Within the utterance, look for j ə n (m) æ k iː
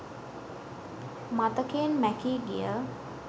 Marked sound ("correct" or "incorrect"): correct